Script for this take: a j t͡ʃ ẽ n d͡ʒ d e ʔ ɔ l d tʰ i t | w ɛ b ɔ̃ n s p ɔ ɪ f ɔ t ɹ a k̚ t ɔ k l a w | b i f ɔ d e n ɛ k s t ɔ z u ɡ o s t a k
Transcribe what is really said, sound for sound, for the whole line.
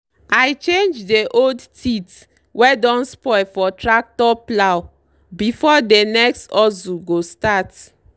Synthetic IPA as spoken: a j t͡ʃ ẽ n d͡ʒ d e ʔ o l d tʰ i t | w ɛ d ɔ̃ n s p ɔ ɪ f ɔ t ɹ a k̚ t ɔ p l a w | b i f ɔ d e n ɛ k s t ɔ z u ɡ o s t a t